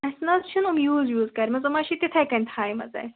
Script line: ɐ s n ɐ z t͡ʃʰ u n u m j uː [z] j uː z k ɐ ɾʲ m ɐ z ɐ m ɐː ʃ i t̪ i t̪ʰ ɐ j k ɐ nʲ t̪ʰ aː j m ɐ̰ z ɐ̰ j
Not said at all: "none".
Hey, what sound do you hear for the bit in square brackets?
z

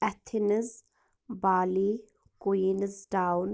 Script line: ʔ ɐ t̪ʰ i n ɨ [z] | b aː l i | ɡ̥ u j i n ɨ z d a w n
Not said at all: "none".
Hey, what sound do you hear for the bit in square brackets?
z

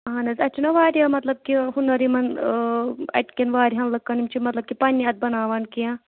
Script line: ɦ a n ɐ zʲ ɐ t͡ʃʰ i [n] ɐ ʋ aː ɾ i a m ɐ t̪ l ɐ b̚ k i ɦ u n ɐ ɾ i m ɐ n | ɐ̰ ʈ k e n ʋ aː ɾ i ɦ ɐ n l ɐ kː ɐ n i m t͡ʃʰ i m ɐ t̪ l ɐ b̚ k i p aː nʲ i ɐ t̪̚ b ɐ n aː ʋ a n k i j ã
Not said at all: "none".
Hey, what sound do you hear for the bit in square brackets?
n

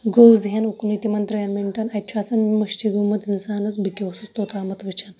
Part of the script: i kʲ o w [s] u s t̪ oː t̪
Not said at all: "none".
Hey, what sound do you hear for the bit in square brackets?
s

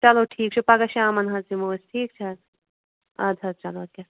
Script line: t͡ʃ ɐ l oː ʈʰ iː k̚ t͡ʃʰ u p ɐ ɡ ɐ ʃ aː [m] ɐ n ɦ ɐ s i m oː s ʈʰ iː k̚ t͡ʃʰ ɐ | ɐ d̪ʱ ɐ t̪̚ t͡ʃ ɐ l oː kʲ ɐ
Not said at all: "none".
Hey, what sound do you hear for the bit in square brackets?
m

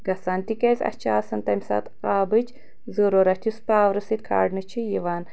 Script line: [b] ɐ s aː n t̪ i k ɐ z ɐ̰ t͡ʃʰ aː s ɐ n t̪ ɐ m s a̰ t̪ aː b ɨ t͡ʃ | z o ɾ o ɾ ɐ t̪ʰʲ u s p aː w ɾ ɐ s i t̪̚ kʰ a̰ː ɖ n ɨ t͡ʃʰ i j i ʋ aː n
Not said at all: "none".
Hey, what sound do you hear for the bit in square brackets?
ɡ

